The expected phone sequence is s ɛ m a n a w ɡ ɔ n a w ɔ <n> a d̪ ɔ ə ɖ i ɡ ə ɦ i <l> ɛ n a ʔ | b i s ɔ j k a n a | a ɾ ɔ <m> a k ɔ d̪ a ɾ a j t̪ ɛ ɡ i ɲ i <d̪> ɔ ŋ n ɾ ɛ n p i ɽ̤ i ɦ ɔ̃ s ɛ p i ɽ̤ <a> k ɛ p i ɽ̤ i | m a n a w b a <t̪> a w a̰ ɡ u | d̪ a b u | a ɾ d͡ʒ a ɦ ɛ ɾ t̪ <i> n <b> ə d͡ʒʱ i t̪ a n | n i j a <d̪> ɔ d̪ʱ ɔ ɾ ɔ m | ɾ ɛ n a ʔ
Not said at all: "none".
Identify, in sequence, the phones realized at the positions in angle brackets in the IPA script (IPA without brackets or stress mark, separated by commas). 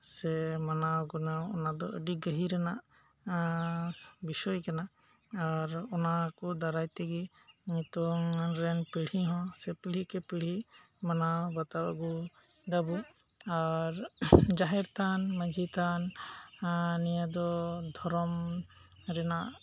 n, ɾ, n, t̪, i, t̪, a, m, d̪